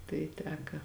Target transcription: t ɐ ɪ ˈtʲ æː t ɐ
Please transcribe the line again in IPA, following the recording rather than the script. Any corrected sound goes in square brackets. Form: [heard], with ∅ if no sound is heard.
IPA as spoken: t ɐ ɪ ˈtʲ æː [k] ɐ